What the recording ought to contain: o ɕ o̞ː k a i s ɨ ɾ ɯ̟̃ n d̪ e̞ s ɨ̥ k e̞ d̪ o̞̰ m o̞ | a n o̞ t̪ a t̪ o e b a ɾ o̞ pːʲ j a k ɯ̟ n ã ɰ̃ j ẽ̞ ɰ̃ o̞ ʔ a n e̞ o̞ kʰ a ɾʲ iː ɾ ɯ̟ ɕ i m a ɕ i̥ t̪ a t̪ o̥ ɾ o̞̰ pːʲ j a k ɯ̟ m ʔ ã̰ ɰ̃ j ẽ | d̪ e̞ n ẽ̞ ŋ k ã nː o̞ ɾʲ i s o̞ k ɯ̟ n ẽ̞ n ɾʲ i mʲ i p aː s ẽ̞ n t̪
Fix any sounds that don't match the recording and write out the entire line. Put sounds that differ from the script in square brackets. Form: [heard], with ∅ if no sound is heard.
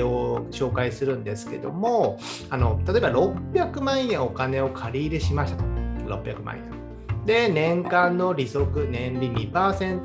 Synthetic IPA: o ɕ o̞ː k a i s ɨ ɾ ɯ̟̃ n d̪ e̞ s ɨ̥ k e̞ d̪ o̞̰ m o̞ | a n o̞ t̪ a t̪ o e b a ɾ o̞ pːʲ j a k ɯ̟ [m] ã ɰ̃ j ẽ̞ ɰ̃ o̞ [k] a n e̞ o̞ kʰ a ɾʲ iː ɾ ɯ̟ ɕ i m a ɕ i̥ t̪ a t̪ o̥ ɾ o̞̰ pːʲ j a k ɯ̟ m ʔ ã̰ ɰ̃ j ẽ | d̪ e̞ n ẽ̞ ŋ k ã nː o̞ ɾʲ i s o̞ k ɯ̟ n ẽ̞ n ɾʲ i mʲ i p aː s ẽ̞ n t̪